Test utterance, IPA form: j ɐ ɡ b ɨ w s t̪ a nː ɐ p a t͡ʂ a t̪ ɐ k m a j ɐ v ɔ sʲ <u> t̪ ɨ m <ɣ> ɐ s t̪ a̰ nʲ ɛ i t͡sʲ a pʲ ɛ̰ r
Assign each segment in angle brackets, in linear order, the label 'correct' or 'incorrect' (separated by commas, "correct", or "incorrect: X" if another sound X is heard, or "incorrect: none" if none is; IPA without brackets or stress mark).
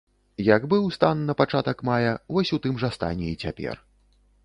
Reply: correct, incorrect: ʐ